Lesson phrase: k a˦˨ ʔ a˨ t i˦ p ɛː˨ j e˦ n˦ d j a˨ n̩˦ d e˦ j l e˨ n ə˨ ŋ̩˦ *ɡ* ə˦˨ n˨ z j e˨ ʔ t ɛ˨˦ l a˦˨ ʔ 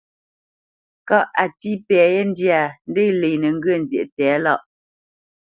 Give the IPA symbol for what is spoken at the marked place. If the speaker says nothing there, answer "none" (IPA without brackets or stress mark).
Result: ɡ